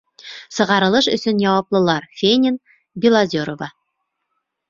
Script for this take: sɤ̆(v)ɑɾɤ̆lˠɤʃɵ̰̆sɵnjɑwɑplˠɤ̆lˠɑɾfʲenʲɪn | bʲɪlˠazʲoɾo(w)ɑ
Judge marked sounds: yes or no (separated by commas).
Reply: no, no